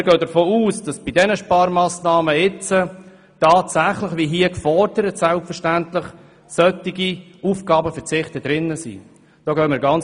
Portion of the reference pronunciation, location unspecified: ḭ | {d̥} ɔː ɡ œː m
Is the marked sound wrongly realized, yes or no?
no